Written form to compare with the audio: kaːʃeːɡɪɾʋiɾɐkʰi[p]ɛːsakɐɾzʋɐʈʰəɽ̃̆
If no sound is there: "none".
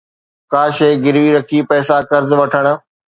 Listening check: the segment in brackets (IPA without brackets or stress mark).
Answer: p